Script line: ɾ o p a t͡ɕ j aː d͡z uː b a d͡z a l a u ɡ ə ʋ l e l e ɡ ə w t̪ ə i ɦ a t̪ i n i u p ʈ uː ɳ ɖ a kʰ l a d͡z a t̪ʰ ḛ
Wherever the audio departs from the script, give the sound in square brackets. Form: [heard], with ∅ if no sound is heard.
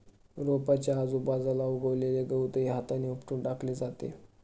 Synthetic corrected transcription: ɾ o p a t͡ɕ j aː d͡z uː b a d͡z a l a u ɡ ə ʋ l e l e ɡ ə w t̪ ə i ɦ a t̪ [a] n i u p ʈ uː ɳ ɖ a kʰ l [e] d͡z a [t̪] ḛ